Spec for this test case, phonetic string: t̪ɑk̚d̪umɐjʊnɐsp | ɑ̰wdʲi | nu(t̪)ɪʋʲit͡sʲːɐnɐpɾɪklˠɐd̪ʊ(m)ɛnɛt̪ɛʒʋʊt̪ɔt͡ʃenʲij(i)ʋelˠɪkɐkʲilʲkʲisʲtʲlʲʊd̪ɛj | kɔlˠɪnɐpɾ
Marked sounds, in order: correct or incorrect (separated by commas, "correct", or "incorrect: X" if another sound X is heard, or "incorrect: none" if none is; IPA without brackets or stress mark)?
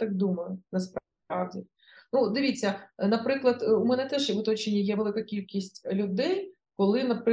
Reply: incorrect: d̪, correct, incorrect: ɛ